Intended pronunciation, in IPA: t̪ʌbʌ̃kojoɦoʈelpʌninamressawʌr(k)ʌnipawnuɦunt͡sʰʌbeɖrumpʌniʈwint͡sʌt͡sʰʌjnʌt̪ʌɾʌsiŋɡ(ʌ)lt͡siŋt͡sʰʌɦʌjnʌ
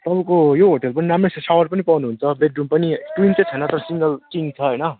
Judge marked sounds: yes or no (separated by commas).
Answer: no, yes